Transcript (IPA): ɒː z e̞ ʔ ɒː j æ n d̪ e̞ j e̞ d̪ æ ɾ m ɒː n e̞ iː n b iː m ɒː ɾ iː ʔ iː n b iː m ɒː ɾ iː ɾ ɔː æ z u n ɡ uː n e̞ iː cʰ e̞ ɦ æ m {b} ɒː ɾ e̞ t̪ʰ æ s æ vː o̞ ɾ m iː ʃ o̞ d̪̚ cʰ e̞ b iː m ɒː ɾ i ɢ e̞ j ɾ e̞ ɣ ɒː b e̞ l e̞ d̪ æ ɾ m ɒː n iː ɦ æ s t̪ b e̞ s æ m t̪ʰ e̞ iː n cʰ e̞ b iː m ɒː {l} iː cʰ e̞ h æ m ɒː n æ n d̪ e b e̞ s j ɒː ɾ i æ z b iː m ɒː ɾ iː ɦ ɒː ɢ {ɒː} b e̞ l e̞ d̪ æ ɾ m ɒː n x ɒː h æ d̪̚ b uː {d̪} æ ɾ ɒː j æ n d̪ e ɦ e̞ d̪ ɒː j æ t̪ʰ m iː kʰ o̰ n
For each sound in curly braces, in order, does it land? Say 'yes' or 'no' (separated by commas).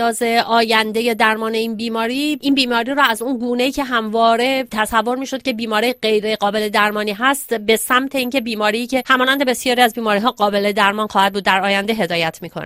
no, no, yes, no